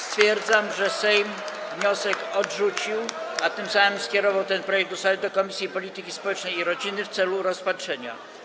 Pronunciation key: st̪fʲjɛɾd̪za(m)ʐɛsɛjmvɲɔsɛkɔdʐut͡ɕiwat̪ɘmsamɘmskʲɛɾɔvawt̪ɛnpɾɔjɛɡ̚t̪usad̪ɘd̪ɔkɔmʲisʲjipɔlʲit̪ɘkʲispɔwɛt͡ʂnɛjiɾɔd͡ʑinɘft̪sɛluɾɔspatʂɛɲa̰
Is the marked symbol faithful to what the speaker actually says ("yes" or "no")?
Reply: yes